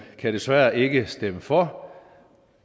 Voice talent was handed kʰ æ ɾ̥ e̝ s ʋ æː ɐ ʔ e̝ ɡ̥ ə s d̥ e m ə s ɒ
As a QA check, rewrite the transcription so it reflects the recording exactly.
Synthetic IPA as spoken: kʰ æ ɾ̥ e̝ s ʋ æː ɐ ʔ e̝ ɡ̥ ə s d̥ e m ə f ɒ